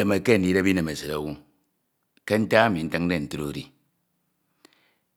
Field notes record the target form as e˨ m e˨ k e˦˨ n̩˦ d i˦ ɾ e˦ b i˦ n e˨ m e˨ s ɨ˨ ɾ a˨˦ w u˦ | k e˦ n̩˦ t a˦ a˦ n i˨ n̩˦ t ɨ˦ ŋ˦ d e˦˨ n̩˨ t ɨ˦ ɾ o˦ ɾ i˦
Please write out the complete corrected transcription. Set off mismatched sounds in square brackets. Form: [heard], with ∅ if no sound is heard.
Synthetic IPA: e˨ m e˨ k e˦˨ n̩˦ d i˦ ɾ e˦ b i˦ n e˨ m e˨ s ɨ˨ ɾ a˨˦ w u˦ | k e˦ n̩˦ t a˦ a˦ [m] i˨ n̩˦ t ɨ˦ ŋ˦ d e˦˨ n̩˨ t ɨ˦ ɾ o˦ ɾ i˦